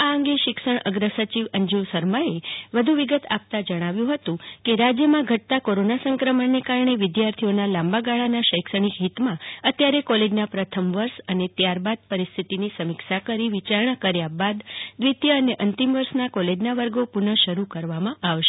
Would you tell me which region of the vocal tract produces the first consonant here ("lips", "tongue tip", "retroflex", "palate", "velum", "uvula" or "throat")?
velum